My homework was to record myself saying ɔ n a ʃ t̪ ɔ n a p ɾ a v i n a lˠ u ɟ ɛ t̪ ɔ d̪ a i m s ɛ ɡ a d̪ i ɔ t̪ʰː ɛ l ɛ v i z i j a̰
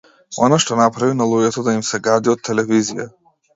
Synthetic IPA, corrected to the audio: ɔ n a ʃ t̪ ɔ n a p ɾ a v i n a lˠ u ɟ ɛ t̪ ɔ d̪ a i m s ɛ ɡ a d̪ i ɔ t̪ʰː ɛ l ɛ v i z i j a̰